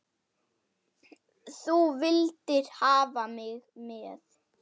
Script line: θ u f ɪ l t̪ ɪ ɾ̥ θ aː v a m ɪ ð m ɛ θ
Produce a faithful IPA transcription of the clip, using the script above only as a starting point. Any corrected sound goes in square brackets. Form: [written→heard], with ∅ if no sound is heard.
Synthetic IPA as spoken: θ u [f→v] ɪ l t̪ ɪ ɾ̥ [θ→h] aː v a m ɪ [ð→ɣ] m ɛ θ